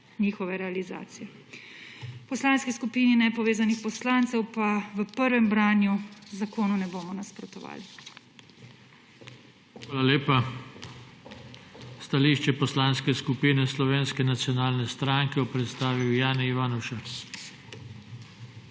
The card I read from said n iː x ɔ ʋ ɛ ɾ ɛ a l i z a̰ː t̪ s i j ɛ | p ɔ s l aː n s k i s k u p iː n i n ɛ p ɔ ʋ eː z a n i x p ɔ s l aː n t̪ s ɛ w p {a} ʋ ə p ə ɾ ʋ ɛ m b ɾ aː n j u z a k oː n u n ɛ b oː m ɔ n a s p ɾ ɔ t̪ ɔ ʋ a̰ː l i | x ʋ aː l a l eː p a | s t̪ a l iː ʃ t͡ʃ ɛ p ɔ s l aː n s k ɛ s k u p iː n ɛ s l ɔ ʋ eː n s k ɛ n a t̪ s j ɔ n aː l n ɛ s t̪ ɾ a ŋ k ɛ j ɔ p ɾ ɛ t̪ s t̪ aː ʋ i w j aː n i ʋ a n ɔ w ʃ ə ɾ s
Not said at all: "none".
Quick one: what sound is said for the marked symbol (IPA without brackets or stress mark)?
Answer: a